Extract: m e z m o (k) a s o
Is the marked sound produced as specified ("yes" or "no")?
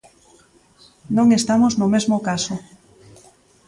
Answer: yes